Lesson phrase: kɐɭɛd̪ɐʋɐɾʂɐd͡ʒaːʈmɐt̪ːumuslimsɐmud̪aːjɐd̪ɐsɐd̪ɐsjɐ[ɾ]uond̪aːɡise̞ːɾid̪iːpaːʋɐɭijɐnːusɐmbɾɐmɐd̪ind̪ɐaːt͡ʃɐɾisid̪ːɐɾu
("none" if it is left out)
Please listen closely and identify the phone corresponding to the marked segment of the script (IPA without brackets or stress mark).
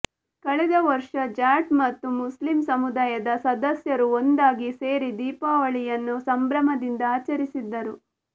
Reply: ɾ